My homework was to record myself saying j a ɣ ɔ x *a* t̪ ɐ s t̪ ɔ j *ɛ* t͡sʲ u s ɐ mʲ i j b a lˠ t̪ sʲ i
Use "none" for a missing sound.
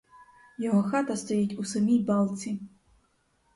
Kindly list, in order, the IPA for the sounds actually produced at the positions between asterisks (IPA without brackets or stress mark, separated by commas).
a, i